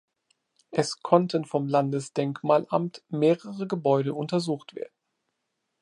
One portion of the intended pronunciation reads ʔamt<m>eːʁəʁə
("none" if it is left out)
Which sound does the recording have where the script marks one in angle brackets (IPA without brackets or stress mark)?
m